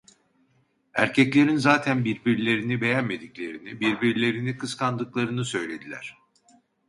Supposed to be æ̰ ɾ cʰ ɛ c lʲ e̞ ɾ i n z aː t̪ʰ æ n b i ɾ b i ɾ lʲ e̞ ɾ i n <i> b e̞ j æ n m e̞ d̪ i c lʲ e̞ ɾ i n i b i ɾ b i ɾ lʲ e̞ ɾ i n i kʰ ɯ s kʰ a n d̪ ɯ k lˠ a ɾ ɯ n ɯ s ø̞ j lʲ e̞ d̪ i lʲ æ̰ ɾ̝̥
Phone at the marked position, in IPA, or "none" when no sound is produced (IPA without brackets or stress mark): i